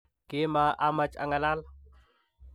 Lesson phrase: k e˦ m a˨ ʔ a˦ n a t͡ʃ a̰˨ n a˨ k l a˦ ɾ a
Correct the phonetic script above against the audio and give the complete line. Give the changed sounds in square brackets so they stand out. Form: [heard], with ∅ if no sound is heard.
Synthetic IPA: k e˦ m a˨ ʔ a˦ [m] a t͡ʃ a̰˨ [ŋ] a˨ [∅] l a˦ [l] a